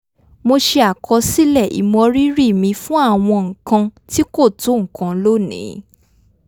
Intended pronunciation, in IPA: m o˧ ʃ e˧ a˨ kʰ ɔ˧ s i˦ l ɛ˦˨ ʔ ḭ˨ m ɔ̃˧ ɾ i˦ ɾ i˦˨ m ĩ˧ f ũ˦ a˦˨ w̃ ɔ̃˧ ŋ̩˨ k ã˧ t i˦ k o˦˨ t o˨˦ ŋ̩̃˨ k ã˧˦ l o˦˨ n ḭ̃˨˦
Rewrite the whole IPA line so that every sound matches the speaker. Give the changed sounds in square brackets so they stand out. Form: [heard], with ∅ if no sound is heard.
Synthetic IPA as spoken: m o˧ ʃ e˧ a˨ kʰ ɔ˧ s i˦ l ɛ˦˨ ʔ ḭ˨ m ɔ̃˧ ɾ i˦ ɾ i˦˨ m ĩ˧ f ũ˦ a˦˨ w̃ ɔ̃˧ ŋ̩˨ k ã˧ t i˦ k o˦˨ t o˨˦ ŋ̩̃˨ k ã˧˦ l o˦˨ n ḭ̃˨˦